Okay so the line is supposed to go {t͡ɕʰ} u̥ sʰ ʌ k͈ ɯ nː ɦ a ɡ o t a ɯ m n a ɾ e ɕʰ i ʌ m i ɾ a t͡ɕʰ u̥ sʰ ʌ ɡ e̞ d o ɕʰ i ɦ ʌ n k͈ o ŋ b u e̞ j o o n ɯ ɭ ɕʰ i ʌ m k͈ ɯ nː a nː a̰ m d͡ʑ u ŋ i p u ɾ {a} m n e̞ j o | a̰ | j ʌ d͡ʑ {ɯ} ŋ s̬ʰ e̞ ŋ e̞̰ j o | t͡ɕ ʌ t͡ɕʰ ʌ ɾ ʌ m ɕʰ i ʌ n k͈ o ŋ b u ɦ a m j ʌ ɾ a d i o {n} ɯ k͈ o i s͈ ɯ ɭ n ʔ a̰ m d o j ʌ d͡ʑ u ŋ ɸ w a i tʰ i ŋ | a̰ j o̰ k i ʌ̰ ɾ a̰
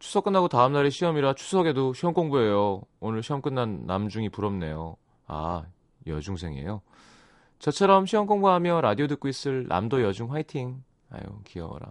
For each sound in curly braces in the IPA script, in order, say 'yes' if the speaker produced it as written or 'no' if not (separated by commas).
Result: yes, no, no, no